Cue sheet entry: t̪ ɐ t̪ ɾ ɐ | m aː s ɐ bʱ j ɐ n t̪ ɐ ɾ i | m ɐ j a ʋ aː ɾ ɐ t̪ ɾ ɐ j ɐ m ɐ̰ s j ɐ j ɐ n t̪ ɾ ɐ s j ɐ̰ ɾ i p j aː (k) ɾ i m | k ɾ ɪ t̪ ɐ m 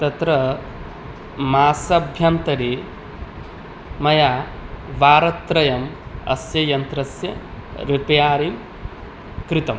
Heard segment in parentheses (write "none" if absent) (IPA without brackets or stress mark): none